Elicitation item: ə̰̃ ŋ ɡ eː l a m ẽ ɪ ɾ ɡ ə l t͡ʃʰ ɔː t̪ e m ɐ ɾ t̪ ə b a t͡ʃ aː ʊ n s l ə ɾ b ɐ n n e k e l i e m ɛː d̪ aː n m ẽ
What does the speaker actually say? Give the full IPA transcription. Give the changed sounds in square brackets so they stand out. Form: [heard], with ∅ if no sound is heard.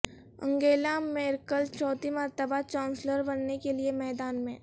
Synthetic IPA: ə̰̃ ŋ ɡ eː l a m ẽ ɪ ɾ [k] ə l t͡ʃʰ ɔː t̪ [i] m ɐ ɾ t̪ ə b a t͡ʃ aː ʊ n s l ə ɾ b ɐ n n e k e l i e m ɛː d̪ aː n m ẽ